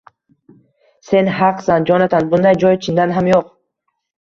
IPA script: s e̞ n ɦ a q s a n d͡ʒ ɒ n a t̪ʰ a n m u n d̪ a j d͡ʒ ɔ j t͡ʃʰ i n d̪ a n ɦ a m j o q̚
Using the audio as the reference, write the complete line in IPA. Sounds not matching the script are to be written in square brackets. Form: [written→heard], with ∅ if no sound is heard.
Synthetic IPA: s e̞ n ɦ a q s a n d͡ʒ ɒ n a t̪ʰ a n [m→b] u n d̪ a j d͡ʒ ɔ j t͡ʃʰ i n d̪ a n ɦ a m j o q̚